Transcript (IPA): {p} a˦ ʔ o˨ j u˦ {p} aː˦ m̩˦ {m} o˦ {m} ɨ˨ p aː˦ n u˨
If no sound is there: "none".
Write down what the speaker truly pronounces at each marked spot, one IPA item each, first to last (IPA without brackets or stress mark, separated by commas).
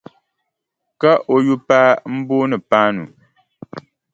k, p, b, n